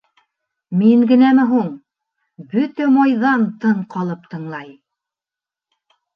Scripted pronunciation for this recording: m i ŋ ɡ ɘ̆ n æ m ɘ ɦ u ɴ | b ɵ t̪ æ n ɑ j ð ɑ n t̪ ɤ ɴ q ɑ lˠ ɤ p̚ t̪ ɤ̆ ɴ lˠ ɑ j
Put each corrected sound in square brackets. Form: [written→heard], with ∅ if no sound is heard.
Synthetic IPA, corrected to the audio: m i ŋ ɡ ɘ̆ n æ m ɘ ɦ u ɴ | b ɵ t̪ æ [n→m] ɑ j ð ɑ n t̪ ɤ ɴ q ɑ lˠ ɤ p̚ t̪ ɤ̆ ɴ lˠ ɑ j